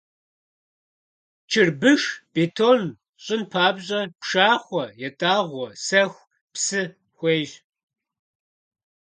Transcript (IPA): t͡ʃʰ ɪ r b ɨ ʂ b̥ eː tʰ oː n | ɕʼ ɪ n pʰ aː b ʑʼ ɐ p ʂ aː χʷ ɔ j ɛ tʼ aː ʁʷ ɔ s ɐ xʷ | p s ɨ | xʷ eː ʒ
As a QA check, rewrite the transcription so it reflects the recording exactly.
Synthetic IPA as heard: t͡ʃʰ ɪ r b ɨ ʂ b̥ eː tʰ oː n | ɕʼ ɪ n pʰ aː b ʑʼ ɐ p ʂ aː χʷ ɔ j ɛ tʼ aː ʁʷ ɔ s ɐ xʷ | p s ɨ | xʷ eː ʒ